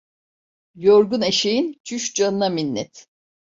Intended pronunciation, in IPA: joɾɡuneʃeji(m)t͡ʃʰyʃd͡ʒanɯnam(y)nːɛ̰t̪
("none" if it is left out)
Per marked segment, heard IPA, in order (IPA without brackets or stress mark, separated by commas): n, i